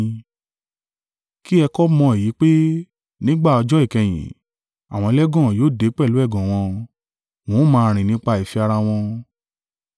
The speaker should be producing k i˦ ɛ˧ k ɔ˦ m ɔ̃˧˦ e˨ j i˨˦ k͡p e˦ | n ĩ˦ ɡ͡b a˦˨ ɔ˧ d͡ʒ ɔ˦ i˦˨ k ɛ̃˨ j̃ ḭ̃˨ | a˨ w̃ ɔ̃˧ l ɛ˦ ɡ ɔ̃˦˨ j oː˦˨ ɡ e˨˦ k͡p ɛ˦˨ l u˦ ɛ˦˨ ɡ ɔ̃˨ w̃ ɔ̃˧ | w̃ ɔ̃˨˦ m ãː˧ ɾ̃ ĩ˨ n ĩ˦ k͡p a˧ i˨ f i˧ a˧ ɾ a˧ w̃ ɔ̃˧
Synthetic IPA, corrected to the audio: k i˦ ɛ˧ k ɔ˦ m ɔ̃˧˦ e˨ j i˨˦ k͡p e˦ | n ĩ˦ ɡ͡b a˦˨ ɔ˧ d͡ʒ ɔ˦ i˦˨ k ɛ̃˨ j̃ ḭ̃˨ | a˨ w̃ ɔ̃˧ l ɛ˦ ɡ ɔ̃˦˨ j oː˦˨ d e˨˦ k͡p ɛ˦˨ l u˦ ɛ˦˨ ɡ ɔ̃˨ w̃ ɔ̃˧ | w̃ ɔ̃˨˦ m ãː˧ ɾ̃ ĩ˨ n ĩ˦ k͡p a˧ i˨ f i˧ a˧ ɾ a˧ w̃ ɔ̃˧

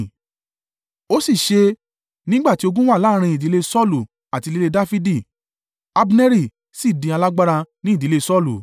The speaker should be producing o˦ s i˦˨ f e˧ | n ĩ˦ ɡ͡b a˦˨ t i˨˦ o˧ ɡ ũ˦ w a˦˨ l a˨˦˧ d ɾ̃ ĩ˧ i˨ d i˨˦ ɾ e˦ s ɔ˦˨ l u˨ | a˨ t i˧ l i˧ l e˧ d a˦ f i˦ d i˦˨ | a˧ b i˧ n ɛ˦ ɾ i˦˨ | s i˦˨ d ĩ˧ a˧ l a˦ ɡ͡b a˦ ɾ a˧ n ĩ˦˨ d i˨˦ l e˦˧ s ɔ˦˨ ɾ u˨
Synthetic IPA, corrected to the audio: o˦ s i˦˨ ʃ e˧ | n ĩ˦ ɡ͡b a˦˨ t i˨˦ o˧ ɡ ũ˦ w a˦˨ l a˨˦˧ ɾ̃ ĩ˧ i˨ d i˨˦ l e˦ s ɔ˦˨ l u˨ | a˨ t i˧ l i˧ l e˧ d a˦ f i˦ d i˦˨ | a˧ b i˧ n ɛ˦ ɾ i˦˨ | s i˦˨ d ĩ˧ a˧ l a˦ ɡ͡b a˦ ɾ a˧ n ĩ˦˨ d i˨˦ l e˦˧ s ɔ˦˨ l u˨

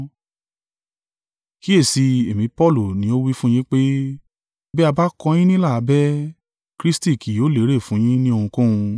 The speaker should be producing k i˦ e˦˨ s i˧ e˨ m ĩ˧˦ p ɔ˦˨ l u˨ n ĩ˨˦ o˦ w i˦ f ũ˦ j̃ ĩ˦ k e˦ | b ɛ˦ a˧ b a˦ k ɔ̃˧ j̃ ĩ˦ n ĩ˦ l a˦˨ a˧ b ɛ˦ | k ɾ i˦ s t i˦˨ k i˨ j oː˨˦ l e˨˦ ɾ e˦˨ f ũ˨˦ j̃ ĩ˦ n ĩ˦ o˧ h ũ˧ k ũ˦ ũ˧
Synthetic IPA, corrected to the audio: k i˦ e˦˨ s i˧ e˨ m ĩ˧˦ p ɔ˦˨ l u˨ n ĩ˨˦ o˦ w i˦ f ũ˦ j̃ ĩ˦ k͡p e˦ | b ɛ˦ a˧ b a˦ k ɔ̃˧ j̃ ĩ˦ n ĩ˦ l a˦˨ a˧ b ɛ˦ | k ɾ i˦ s t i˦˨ k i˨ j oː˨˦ l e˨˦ ɾ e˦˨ f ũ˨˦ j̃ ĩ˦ n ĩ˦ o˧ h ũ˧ k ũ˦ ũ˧

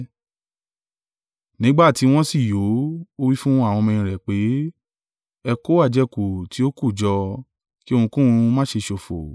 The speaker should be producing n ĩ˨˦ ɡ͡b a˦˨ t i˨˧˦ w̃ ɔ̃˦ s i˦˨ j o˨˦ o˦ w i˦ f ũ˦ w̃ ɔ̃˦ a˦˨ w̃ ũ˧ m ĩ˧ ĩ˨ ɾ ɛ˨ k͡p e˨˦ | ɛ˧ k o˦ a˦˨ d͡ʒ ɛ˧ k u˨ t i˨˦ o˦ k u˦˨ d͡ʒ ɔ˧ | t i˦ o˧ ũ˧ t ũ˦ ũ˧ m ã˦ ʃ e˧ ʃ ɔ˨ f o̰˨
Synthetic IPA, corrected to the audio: n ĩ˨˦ ɡ͡b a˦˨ t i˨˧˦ w̃ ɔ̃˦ s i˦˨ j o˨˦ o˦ w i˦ f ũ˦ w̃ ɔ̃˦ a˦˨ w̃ ɔ̃˧ m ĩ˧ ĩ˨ ɾ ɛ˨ k͡p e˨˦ | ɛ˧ k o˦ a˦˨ d͡ʒ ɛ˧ k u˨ t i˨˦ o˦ k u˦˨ d͡ʒ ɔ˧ | k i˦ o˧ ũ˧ k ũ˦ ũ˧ m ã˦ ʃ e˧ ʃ o˨ f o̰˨

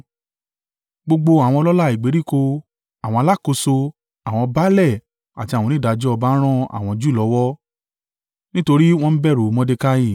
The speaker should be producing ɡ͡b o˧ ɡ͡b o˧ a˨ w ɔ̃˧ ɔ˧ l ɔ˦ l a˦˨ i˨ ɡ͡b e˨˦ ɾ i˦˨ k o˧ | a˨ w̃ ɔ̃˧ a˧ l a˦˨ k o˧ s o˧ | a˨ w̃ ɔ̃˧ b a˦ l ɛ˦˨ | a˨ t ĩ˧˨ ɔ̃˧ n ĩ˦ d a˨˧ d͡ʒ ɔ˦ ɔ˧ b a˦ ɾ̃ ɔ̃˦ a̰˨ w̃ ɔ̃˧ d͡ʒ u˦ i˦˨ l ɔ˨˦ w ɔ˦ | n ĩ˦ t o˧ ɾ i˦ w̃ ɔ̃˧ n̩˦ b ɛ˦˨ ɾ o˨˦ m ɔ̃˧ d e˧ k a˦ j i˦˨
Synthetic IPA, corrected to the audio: ɡ͡b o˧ ɡ͡b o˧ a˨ w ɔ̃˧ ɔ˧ l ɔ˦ l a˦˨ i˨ ɡ͡b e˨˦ ɾ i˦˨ k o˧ | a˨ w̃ ɔ̃˧ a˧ l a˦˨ k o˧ s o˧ | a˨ w̃ ɔ̃˧ b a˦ l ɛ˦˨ | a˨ t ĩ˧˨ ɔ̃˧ n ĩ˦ d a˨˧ d͡ʒ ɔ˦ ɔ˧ b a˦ ɾ̃ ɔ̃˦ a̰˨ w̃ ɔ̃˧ d͡ʒ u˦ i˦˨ l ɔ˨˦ w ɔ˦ | n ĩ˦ t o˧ ɾ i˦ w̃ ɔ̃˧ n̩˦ b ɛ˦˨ ɾ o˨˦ m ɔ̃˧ d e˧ k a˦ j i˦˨

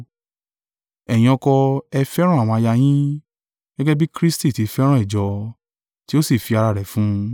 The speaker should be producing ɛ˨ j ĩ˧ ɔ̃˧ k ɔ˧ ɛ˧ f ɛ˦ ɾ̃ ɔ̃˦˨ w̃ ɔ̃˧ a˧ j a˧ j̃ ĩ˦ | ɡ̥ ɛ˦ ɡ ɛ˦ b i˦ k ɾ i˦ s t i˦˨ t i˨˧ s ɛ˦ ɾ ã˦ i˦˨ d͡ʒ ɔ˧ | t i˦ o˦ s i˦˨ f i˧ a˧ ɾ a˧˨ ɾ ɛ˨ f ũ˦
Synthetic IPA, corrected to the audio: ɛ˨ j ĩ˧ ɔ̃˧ k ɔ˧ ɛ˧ f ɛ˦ ɾ̃ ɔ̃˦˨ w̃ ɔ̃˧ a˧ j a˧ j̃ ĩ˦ | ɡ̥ ɛ˦ ɡ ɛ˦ b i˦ k ɾ i˦ s t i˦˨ t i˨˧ f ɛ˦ ɾ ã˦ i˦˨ d͡ʒ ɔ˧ | t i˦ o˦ s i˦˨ f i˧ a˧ ɾ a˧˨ ɾ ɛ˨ f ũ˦

